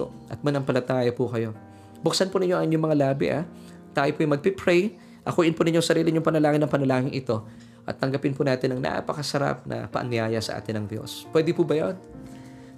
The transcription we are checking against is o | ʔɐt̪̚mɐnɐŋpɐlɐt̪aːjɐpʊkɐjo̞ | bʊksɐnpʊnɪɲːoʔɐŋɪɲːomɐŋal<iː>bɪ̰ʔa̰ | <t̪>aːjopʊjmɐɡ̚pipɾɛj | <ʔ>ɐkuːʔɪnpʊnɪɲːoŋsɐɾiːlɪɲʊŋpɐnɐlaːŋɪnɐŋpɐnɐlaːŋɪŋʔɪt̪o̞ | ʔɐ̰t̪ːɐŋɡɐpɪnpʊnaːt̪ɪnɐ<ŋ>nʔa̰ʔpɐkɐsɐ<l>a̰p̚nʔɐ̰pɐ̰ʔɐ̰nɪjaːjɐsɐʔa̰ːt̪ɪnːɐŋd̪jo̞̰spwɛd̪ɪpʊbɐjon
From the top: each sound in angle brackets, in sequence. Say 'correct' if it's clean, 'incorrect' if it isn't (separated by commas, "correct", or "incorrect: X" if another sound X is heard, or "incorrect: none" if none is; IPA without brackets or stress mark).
incorrect: aː, correct, correct, correct, incorrect: ɾ